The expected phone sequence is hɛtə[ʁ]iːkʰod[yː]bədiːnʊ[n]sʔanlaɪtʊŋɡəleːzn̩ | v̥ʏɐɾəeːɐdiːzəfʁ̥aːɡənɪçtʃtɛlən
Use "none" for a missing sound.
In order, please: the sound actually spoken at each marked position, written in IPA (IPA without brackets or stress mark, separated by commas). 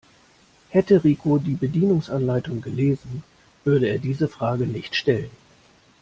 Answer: ʁ, iː, ŋ